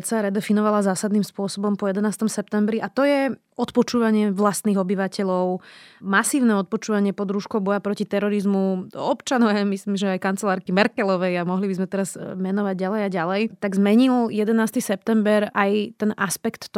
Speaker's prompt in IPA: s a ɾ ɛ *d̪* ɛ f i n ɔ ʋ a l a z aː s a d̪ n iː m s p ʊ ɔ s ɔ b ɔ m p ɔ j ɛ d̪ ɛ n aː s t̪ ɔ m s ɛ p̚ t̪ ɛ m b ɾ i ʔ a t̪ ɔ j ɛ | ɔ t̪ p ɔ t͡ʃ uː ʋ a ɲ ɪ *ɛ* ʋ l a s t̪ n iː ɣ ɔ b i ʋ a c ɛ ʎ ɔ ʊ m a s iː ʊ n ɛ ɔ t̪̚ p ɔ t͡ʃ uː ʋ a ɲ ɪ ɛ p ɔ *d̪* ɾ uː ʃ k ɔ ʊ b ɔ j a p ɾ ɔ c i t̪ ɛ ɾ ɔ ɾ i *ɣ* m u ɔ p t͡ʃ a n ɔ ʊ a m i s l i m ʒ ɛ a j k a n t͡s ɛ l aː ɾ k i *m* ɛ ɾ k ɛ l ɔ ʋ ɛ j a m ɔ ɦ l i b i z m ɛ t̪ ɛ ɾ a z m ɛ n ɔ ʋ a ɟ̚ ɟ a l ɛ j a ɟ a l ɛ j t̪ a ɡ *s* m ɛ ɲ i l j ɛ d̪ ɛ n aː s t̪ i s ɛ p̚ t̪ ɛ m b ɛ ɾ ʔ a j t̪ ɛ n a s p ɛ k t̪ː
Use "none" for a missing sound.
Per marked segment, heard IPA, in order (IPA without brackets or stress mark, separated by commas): d̪, ɛ, d̪, z, m, z